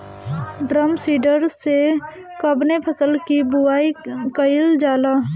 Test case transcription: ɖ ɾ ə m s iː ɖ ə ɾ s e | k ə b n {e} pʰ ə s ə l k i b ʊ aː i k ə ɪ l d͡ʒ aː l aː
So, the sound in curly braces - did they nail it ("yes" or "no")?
yes